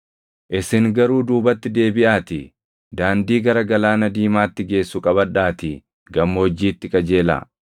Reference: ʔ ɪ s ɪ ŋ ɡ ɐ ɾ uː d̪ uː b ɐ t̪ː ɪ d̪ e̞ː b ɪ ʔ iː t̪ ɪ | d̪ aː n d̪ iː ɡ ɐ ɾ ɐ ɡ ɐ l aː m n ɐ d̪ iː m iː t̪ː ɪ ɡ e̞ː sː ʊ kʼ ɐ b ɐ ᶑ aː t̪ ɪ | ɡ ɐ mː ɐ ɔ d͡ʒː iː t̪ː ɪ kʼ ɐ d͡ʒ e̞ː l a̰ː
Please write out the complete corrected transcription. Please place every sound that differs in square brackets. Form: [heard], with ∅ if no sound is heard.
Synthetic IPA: ʔ ɪ s ɪ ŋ ɡ ɐ ɾ uː d̪ uː b ɐ t̪ː ɪ d̪ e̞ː b ɪ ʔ [aː] t̪ ɪ | d̪ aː n d̪ iː ɡ ɐ ɾ ɐ ɡ ɐ l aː [∅] n ɐ d̪ iː m [aː] t̪ː ɪ ɡ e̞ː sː ʊ kʼ ɐ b ɐ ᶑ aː t̪ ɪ | ɡ ɐ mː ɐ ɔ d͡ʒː iː t̪ː ɪ kʼ ɐ d͡ʒ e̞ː l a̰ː